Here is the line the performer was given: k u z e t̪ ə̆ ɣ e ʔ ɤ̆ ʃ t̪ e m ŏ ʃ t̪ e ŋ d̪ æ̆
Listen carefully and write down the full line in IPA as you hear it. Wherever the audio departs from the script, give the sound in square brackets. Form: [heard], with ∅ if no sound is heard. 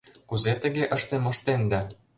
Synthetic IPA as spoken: k u z e t̪ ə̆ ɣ e ʔ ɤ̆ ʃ t̪ e m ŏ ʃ t̪ e [n] d̪ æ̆